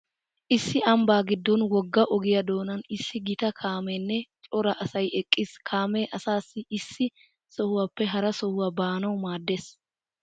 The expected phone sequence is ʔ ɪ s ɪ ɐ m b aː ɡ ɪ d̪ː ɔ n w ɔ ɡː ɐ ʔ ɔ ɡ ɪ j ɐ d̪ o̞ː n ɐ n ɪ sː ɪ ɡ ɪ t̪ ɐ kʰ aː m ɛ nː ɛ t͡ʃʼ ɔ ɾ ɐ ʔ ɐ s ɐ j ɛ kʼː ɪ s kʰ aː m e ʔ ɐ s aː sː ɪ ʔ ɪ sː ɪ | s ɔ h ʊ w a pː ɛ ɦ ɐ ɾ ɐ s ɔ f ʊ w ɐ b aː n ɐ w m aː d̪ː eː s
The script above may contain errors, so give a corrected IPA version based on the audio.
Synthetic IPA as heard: ʔ ɪ sː ɪ ɐ m b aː ɡ ɪ d̪ː ɔ n w ɔ ɡː ɐ ʔ ɔ ɡ ɪ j ɐ d̪ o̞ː n ɐ n ɪ sː ɪ ɡ ɪ t̪ ɐ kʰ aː m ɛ nː ɛ t͡ʃʼ ɔ ɾ ɐ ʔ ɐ s ɐ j ɛ kʼː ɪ s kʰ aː m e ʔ ɐ s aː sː ɪ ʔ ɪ sː ɪ | s ɔ h ʊ w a pː ɛ ɦ ɐ ɾ ɐ s ɔ h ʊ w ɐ b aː n ɐ w m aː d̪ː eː s

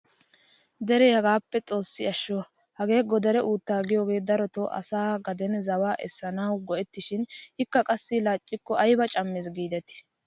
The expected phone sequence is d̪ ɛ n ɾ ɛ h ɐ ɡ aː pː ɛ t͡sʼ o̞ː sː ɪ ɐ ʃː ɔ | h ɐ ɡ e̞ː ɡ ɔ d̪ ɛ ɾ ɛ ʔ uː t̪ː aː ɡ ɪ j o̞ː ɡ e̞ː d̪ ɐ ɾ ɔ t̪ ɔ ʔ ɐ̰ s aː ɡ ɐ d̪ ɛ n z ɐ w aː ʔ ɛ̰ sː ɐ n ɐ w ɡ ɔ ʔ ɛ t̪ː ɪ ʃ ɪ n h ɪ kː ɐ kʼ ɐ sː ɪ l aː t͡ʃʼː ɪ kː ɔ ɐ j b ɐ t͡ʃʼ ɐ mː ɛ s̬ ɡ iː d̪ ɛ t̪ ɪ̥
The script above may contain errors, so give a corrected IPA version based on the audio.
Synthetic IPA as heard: d̪ ɛ ɾ ɛ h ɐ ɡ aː pː ɛ t͡sʼ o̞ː sː ɪ ɐ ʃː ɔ | h ɐ ɡ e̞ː ɡ ɔ d̪ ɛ ɾ ɛ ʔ uː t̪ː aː ɡ ɪ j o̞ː ɡ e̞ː d̪ ɐ ɾ ɔ t̪ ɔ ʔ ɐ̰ s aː ɡ ɐ d̪ ɛ n z ɐ w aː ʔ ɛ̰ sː ɐ n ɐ w ɡ ɔ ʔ ɛ t̪ː ɪ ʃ ɪ n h ɪ kː ɐ kʼ ɐ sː ɪ l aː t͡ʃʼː ɪ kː ɔ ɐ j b ɐ t͡ʃʼ ɐ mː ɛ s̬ ɡ iː d̪ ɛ t̪ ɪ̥

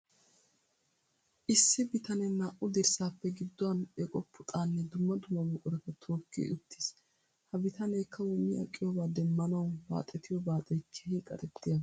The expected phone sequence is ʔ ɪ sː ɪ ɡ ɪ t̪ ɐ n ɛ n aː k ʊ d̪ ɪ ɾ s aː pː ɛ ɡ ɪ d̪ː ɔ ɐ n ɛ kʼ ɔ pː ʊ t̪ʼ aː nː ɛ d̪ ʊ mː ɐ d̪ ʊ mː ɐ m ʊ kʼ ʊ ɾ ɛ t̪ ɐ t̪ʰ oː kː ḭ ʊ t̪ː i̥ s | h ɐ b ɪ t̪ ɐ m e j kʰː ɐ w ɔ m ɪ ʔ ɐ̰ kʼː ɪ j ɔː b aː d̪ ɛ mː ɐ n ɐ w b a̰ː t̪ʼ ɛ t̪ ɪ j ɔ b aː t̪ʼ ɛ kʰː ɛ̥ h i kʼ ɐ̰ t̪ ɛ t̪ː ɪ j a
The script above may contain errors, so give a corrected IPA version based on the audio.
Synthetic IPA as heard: ʔ ɪ sː ɪ b ɪ t̪ ɐ n ɛ n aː ʔ ʊ d̪ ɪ ɾ s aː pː ɛ ɡ ɪ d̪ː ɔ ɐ n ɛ kʼ ɔ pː ʊ t̪ʼ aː nː ɛ d̪ ʊ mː ɐ d̪ ʊ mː ɐ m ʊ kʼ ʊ ɾ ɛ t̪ ɐ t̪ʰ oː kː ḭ ʊ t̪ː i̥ s | h ɐ b ɪ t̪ ɐ n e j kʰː ɐ w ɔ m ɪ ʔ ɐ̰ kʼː ɪ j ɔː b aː d̪ ɛ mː ɐ n ɐ w b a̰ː t̪ʼ ɛ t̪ ɪ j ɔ b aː t̪ʼ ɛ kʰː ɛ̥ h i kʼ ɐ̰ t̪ ɛ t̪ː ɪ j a

